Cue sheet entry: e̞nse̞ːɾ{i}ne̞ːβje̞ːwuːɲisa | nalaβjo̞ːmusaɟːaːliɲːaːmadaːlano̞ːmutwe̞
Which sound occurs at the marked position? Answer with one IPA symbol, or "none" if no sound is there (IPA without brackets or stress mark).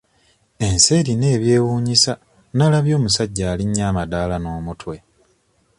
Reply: i